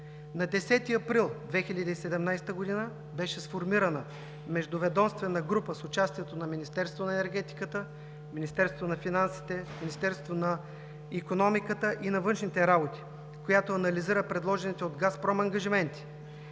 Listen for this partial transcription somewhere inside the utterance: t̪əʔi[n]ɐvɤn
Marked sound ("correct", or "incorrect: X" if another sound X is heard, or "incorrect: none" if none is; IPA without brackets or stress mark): correct